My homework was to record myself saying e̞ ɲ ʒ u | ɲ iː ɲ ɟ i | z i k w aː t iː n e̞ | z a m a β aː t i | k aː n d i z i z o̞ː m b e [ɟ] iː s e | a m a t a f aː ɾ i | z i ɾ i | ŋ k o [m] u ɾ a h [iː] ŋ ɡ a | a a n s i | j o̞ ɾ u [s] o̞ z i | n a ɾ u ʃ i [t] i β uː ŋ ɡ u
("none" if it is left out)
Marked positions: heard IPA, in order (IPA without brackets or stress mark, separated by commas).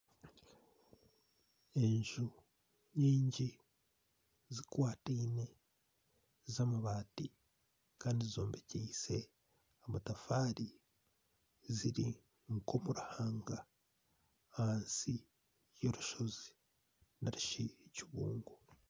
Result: c, m, aː, ʃ, c